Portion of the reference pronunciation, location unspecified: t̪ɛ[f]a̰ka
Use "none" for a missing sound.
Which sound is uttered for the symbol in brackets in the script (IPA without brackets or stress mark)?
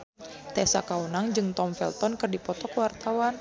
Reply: s